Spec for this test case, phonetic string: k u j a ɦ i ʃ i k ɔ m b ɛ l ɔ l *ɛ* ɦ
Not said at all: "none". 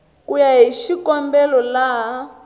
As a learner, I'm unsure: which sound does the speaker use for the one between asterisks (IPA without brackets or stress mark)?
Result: a